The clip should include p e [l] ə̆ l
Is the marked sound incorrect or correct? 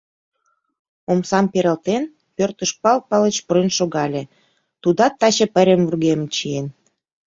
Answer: incorrect